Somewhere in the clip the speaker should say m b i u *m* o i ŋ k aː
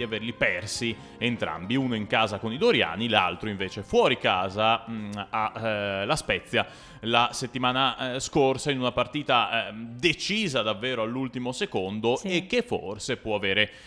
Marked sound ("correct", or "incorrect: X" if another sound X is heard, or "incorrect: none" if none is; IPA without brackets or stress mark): incorrect: n